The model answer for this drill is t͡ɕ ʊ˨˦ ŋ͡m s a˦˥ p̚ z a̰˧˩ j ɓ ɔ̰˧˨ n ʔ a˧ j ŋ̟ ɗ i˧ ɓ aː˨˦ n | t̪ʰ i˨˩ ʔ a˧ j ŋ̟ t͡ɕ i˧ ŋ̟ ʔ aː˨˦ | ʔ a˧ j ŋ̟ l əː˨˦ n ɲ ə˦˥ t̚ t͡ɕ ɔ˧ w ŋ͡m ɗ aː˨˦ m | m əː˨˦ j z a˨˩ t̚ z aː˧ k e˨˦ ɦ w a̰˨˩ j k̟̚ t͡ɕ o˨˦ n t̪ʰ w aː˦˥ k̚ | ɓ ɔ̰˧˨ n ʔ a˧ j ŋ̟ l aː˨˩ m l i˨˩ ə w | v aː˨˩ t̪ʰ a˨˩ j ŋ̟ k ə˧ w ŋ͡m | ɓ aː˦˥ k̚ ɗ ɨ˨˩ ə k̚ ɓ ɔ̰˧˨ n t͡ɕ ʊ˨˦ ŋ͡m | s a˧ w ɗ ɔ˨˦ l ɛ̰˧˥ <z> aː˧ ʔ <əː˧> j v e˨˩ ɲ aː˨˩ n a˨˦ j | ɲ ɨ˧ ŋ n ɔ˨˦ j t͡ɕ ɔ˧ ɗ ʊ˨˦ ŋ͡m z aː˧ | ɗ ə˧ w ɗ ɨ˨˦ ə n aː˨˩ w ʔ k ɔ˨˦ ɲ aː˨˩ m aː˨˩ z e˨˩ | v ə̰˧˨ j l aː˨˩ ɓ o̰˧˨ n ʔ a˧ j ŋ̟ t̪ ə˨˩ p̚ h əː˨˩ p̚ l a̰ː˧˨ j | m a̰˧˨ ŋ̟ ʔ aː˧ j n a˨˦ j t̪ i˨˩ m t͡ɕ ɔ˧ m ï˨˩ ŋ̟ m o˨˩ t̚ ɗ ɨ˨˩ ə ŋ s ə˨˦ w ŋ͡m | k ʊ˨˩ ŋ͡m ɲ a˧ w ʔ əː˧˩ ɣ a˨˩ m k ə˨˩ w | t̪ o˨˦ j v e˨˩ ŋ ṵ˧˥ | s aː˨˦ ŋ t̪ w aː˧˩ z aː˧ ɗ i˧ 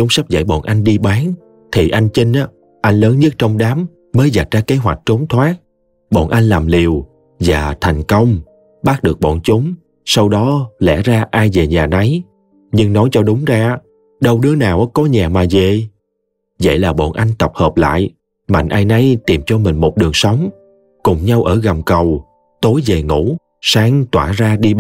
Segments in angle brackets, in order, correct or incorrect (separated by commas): correct, incorrect